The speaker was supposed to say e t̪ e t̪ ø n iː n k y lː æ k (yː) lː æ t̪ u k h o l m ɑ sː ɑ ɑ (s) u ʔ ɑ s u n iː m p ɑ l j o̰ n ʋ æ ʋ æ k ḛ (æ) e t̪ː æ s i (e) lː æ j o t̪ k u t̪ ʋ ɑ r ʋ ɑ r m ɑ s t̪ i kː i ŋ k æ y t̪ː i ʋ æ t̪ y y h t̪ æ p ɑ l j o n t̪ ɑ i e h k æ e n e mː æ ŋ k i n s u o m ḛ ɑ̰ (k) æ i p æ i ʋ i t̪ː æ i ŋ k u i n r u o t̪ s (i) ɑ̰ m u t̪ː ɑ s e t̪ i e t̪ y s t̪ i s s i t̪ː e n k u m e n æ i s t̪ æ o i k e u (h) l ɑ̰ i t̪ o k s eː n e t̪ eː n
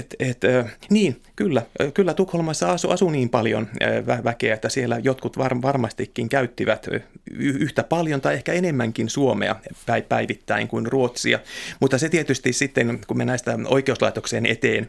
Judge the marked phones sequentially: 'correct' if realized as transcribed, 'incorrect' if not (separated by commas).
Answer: incorrect, correct, correct, correct, incorrect, correct, incorrect